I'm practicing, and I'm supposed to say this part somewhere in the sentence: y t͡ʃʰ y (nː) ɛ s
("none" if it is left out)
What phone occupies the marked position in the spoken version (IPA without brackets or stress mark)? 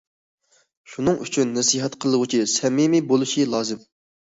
nː